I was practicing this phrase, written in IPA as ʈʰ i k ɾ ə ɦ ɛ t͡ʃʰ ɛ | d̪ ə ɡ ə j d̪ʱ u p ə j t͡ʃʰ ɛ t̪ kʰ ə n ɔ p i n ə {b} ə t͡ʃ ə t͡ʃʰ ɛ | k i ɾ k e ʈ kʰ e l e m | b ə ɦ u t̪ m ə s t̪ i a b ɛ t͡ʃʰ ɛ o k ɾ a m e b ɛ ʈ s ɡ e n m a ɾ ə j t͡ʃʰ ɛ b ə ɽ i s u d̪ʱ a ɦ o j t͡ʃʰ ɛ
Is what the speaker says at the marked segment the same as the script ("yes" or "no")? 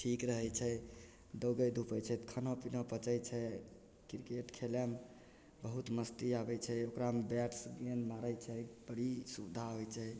no